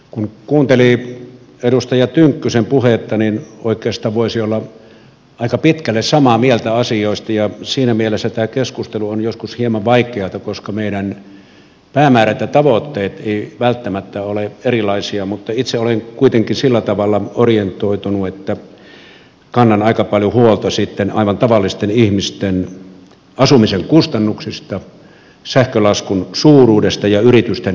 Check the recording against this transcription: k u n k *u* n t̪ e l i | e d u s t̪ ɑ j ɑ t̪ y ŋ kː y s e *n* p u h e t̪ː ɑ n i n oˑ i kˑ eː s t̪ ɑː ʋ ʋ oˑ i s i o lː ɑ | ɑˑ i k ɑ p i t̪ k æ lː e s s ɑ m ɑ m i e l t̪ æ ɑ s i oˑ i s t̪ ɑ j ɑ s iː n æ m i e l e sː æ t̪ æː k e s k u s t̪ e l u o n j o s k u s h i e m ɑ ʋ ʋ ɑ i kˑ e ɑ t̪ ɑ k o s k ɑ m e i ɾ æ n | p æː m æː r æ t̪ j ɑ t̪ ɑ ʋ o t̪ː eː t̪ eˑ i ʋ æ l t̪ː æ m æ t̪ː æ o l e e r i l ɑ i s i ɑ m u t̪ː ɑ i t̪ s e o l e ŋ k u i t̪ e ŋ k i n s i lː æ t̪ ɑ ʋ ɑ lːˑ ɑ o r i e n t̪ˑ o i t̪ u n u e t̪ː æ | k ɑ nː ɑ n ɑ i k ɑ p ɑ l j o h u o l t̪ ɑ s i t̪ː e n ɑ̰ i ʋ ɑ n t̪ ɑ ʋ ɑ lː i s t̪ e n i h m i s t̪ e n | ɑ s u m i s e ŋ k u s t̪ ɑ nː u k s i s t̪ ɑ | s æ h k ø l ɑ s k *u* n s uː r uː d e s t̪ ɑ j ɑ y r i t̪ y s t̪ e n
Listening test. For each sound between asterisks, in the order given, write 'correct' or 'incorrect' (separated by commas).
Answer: incorrect, incorrect, correct